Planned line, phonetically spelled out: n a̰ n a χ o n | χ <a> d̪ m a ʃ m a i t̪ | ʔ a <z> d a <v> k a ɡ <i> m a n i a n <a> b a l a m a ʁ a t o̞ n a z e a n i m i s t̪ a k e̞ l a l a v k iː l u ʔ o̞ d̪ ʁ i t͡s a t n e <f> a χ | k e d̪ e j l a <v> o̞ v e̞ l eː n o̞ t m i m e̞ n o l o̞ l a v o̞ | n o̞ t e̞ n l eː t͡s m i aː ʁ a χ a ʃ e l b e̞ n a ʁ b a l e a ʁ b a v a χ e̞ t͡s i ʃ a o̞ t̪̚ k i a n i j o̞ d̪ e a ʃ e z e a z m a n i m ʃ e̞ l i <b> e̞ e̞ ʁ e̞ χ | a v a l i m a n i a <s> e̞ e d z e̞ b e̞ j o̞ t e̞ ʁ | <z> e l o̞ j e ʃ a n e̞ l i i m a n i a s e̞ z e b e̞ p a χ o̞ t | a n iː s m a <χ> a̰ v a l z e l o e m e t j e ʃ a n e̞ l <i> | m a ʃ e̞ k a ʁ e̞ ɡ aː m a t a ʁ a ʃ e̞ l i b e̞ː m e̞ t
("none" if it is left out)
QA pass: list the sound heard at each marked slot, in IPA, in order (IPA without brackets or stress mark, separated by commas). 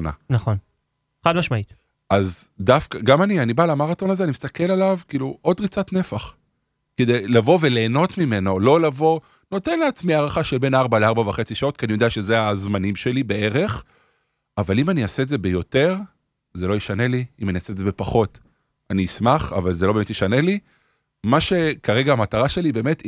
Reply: a, z, f, a, i, f, v, b, s, z, χ, i